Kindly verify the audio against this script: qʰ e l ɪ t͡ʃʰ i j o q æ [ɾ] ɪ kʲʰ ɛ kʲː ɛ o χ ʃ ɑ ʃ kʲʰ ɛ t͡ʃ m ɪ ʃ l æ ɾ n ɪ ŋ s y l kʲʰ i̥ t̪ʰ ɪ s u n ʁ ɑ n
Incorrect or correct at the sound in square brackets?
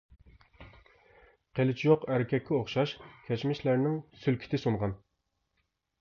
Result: correct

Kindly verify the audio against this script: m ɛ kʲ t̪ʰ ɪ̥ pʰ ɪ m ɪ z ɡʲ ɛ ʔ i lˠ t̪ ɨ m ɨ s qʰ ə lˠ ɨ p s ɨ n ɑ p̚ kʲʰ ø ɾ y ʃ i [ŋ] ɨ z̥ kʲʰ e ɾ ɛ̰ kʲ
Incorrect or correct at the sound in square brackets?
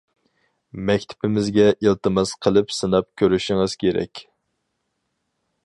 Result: correct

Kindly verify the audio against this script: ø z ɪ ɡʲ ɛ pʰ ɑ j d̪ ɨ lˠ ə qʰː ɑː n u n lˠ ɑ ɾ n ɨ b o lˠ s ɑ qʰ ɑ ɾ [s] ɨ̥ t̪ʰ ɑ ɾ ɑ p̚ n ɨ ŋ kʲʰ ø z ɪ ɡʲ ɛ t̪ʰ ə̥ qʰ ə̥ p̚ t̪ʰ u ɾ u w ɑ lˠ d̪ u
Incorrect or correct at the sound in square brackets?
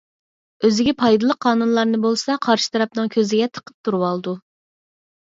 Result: incorrect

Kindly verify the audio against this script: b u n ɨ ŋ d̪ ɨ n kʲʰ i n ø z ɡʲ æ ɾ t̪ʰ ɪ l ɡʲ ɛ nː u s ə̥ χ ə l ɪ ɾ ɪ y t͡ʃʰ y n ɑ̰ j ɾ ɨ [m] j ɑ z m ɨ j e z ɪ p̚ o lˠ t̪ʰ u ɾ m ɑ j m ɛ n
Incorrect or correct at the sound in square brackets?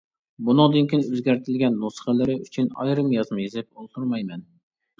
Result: correct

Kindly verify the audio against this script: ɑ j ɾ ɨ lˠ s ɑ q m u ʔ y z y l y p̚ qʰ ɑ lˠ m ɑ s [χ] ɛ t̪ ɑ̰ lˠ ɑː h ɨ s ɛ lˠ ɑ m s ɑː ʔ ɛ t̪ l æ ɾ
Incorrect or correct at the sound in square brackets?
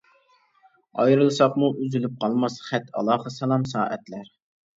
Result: correct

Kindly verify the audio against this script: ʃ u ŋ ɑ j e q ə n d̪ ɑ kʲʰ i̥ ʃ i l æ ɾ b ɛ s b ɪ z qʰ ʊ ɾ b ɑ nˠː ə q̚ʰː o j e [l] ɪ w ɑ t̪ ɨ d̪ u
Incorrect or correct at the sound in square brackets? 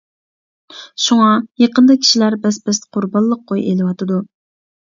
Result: correct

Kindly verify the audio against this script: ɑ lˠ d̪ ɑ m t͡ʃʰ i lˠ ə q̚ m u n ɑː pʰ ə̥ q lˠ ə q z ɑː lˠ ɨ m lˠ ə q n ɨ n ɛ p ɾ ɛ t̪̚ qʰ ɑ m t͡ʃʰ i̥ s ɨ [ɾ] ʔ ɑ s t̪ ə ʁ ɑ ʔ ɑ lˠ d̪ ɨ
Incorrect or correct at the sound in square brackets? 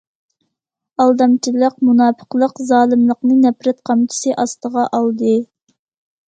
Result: incorrect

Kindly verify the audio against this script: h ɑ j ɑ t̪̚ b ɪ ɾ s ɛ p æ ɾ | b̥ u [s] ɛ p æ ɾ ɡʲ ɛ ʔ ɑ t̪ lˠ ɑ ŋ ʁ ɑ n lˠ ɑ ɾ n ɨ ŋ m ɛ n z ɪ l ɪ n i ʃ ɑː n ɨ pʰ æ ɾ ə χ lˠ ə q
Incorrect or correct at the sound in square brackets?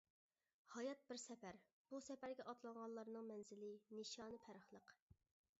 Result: correct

